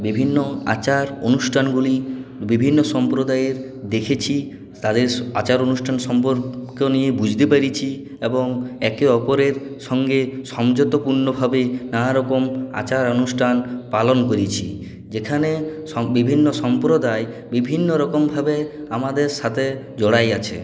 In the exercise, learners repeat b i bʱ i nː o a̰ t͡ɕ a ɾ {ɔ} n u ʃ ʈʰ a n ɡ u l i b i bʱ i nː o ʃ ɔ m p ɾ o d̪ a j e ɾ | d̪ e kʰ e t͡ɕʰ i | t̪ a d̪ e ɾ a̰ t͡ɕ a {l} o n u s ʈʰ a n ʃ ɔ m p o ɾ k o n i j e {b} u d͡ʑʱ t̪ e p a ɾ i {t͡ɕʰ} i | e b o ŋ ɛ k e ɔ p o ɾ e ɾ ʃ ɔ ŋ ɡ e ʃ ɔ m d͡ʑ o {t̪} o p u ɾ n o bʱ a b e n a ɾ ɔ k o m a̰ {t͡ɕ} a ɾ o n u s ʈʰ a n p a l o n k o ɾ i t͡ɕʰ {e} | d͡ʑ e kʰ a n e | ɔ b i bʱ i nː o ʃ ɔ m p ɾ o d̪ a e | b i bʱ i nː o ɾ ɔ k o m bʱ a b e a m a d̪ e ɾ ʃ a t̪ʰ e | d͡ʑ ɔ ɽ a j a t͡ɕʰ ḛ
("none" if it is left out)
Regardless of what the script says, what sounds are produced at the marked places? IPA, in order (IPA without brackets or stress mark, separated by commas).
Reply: o, ɾ, b, t͡ɕʰ, t̪, t͡ɕ, i